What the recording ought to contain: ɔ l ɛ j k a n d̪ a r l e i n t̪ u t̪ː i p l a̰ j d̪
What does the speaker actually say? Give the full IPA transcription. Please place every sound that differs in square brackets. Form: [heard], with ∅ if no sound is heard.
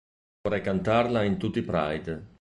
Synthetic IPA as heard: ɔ [ɾ] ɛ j k a n [t̪] a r l [a] i n t̪ u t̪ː i p [ɾ] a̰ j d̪